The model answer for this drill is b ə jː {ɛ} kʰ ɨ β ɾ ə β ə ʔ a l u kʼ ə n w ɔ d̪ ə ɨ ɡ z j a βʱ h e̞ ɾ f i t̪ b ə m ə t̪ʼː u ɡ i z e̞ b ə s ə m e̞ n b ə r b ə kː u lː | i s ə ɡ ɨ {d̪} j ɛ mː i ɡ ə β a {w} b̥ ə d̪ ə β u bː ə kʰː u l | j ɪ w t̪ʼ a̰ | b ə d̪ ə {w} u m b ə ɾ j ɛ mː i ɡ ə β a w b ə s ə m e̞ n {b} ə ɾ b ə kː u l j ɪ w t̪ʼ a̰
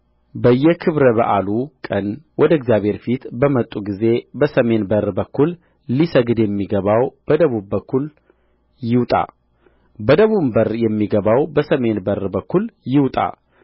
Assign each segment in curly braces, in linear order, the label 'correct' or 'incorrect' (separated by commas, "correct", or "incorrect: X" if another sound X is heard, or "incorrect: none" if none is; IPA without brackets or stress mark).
correct, correct, correct, incorrect: β, correct